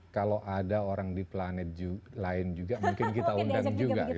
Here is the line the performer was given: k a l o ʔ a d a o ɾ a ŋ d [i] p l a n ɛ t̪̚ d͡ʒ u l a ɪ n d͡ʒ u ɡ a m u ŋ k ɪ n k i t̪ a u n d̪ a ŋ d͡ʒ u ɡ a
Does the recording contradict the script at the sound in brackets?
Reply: no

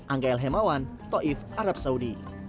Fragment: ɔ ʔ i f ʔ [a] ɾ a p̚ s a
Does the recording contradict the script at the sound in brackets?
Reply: no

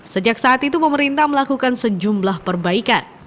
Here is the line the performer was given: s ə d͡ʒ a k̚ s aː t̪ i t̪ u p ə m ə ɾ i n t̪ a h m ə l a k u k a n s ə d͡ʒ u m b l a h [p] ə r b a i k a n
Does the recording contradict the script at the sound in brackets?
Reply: no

